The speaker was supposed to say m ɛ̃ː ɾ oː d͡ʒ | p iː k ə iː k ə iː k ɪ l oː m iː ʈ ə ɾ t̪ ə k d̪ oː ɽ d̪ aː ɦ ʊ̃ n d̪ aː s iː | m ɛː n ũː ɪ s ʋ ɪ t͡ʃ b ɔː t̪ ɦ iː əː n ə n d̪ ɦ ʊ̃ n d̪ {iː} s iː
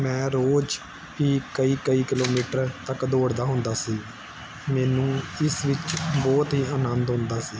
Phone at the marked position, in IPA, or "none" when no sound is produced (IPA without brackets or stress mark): aː